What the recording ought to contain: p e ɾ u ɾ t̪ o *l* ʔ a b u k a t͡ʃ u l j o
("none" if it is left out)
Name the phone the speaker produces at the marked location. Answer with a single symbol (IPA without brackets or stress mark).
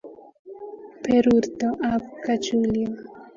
none